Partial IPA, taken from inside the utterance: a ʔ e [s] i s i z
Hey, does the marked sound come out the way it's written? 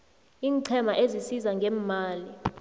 no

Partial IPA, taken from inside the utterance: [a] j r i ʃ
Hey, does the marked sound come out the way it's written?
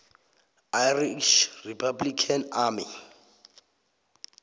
yes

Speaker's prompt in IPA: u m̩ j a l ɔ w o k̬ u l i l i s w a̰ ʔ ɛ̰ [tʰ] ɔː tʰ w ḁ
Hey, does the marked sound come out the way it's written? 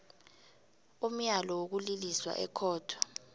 no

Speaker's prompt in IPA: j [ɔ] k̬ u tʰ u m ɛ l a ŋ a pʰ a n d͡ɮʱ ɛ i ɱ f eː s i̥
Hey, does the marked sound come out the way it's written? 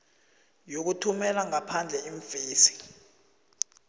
no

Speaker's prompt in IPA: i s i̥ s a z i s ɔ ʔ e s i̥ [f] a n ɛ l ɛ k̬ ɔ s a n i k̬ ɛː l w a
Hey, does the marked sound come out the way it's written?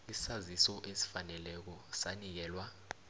yes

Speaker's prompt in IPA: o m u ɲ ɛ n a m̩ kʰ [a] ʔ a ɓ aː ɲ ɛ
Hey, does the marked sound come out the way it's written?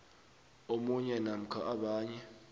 yes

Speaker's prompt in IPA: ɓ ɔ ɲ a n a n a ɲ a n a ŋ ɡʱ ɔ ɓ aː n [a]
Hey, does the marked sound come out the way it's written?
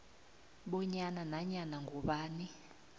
no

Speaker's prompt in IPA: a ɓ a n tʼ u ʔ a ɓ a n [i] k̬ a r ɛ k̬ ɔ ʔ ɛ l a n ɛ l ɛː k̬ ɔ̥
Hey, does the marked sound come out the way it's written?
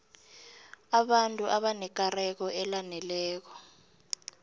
no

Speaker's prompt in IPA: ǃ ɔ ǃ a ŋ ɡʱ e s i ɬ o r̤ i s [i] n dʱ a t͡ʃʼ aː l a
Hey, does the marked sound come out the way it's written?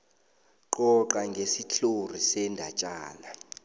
no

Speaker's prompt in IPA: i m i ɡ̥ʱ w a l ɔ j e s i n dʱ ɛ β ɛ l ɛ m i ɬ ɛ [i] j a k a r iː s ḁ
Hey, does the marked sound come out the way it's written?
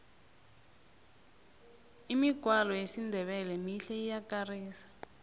yes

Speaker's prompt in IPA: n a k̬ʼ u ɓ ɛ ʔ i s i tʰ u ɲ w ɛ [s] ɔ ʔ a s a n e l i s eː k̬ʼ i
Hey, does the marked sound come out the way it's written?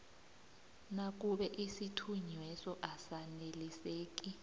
yes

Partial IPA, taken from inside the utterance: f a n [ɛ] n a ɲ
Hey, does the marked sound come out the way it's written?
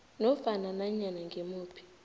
no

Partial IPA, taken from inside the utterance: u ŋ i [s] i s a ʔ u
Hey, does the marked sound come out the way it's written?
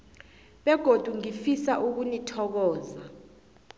no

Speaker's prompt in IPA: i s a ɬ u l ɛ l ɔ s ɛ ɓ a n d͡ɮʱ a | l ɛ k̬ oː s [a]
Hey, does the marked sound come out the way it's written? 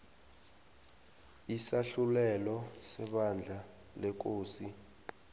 no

